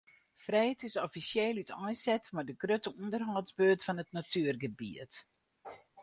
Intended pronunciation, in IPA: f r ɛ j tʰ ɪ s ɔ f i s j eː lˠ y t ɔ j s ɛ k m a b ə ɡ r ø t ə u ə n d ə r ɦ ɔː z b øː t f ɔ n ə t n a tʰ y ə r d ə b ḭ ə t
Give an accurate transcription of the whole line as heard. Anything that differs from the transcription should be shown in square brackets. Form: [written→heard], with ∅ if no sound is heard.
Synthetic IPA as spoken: f r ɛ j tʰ ɪ s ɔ f i s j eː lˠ y t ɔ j s ɛ [k→t] m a [b→d] ə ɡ r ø t ə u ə n d ə r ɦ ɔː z b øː t f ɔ n ə t n a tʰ y ə r [d→ɡ] ə b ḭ ə t